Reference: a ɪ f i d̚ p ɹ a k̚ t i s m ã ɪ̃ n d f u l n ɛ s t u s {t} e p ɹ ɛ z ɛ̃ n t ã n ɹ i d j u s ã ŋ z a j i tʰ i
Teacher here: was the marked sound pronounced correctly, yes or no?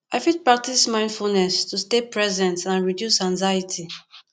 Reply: yes